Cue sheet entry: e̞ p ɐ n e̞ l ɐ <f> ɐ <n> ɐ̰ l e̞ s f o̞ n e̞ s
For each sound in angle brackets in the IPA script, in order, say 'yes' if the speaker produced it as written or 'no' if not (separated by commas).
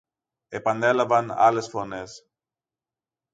no, yes